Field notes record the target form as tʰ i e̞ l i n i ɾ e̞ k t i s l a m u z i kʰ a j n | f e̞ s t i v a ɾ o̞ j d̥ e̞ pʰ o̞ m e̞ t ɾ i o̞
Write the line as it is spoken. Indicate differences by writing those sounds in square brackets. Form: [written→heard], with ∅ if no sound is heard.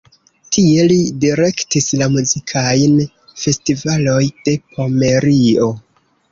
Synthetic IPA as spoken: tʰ i e̞ l i [n→d] i ɾ e̞ k t i s l a m u z i kʰ a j n | f e̞ s t i v a [ɾ→l] o̞ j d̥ e̞ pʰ o̞ m e̞ [t→∅] ɾ i o̞